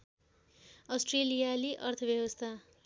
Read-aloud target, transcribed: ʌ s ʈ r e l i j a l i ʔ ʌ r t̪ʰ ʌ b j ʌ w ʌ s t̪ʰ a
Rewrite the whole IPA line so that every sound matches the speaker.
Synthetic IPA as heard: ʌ s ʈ r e l i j a l i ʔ ʌ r t̪ʰ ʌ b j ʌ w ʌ s t̪ʰ a